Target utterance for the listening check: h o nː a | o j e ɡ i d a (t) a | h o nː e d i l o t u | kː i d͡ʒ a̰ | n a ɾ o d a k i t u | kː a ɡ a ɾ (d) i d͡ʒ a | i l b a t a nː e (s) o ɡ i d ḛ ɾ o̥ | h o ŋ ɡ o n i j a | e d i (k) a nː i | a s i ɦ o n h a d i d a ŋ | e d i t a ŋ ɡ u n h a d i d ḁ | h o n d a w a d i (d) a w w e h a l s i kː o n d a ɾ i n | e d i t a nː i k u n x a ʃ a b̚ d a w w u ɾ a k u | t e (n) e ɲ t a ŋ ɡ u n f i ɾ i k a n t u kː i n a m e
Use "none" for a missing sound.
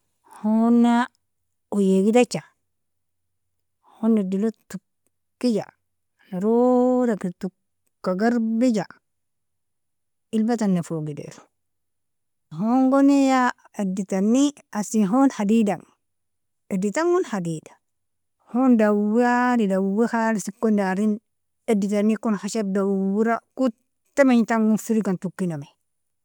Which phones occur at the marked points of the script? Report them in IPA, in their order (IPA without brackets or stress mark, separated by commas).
t͡ʃ, b, f, t, d, m